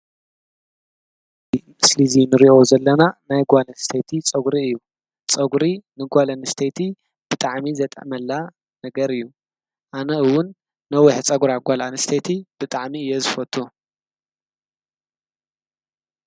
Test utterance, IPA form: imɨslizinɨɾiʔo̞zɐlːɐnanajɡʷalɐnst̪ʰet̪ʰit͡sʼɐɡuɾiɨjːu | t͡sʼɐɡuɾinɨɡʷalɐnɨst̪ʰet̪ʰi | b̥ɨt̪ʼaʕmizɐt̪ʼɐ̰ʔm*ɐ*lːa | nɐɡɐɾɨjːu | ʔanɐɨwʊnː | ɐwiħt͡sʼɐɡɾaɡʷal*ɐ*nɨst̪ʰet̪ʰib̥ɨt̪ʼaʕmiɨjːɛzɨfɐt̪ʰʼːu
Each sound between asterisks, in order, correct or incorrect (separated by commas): correct, incorrect